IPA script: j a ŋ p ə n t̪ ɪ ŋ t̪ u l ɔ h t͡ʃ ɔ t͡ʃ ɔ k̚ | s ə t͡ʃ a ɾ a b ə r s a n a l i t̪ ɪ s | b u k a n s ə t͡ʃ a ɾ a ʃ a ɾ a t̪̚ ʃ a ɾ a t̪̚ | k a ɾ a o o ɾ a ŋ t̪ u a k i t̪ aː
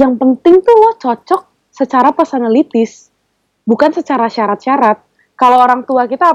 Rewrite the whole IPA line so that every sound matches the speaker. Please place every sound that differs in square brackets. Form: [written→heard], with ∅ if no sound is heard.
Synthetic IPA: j a ŋ p ə n t̪ ɪ ŋ t̪ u l ɔ h t͡ʃ ɔ t͡ʃ ɔ k̚ | s ə t͡ʃ a ɾ a [b→p] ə r s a n a l i t̪ ɪ s | b u k a n s ə t͡ʃ a ɾ a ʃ a ɾ a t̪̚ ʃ a ɾ a t̪̚ | k a [ɾ→l] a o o ɾ a ŋ t̪ u a k i t̪ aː